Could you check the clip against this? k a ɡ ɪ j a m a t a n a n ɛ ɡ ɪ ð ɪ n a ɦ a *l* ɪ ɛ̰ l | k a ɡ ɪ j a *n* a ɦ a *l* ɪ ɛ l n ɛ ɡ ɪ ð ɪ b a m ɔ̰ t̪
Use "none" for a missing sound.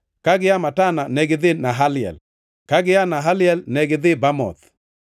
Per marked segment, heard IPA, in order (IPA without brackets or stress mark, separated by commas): l, n, l